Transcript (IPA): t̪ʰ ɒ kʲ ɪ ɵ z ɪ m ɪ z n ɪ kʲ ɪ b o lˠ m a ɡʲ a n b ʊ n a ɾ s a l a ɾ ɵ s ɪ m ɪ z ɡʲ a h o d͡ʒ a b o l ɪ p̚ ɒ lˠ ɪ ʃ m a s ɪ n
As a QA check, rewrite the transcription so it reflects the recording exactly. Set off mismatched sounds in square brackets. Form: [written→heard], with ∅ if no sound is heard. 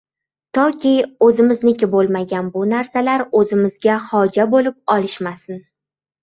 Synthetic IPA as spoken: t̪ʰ ɒ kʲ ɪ ɵ z ɪ m ɪ z n ɪ kʲ ɪ b o lˠ m a ɡʲ a n b ʊ n a ɾ s a l a ɾ ɵ [s→z] ɪ m ɪ z ɡʲ a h [o→ɒ] d͡ʒ a b o l ɪ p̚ ɒ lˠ ɪ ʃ m a s ɪ n